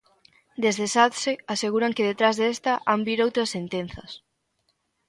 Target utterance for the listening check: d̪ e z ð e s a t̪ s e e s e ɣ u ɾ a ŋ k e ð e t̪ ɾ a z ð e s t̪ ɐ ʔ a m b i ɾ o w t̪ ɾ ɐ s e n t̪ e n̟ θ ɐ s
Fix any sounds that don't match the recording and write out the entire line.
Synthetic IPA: d̪ e z ð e s a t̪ s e a s e ɣ u ɾ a ŋ k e ð e t̪ ɾ a z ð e s t̪ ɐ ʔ a m b i ɾ o w t̪ ɾ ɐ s e n t̪ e n̟ θ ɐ s